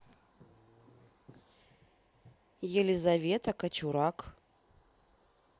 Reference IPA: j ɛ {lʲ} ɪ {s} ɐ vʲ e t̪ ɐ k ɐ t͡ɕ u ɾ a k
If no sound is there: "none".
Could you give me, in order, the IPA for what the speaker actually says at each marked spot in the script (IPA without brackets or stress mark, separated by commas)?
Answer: lʲ, z